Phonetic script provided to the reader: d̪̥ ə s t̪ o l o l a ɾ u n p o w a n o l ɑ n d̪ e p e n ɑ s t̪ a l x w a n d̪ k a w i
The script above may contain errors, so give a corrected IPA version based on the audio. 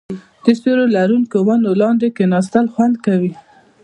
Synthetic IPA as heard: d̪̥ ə s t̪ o ɾ o l a ɾ u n k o w a n o l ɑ n d̪ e k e n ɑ s t̪ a l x w a n d̪ k a w i